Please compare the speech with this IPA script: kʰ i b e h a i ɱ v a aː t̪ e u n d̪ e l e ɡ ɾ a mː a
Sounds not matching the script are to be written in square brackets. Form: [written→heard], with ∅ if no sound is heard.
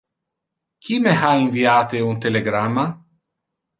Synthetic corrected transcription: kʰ i [b→m] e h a i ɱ v [a→i] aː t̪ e u n [d̪→t̪] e l e ɡ ɾ a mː a